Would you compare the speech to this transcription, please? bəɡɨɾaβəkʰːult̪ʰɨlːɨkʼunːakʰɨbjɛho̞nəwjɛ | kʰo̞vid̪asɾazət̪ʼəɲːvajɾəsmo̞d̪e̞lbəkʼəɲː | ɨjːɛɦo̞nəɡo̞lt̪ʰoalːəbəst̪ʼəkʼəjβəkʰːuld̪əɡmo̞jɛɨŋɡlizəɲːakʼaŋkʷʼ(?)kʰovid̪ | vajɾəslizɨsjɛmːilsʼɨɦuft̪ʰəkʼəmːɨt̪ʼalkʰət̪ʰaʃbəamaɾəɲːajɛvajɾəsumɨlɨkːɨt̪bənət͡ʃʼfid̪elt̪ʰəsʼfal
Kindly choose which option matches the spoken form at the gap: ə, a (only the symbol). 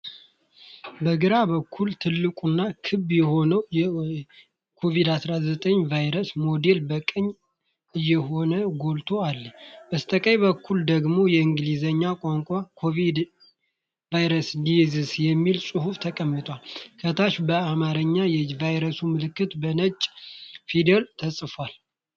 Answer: a